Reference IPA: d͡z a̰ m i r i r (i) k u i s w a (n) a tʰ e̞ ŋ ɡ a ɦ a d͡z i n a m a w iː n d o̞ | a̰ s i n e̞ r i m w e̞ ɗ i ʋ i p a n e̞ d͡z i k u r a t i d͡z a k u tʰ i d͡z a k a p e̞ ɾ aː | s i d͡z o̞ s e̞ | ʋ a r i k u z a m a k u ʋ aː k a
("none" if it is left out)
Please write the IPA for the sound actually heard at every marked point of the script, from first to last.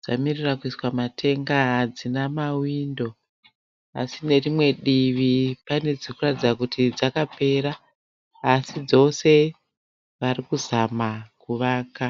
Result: a, m

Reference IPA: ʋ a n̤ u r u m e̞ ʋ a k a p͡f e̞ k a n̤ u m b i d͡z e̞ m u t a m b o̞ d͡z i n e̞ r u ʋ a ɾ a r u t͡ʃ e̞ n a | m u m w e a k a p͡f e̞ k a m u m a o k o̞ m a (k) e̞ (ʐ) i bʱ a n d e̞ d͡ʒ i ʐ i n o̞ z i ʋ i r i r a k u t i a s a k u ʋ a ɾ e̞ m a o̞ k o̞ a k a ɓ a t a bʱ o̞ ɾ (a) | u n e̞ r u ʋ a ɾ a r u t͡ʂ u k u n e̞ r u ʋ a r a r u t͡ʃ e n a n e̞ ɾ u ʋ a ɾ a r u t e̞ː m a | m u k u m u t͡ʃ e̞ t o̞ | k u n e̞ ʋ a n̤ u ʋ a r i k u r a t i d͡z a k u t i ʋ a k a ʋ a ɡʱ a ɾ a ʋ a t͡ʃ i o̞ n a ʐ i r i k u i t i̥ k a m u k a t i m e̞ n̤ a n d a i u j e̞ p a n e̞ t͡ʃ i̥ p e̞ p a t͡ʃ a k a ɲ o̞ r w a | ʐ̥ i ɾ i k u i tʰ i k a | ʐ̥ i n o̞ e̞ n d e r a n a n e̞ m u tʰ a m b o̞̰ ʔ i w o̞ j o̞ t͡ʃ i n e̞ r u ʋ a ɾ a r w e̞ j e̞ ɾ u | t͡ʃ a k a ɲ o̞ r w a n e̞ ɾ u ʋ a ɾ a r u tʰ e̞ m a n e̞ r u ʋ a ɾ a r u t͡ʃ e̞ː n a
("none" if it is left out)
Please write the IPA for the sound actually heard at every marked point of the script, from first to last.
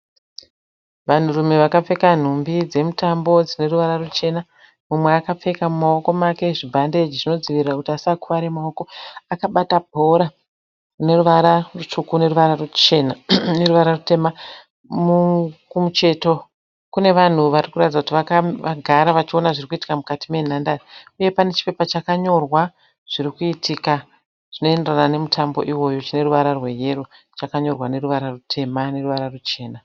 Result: k, ʐ, a

